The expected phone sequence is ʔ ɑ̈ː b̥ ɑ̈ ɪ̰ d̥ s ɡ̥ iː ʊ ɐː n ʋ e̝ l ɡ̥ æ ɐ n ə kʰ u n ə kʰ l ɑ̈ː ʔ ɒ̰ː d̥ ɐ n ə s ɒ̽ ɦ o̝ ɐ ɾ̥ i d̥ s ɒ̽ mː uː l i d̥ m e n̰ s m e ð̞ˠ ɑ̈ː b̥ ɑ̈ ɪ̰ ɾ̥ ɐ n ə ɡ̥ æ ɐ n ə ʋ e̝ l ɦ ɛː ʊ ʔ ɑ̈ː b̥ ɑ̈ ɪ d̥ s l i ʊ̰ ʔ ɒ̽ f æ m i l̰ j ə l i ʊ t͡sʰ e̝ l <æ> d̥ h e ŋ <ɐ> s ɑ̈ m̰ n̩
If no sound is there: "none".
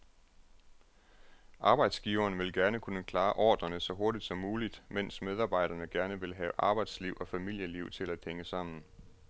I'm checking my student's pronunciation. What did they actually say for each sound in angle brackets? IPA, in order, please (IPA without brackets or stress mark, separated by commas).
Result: æ, ə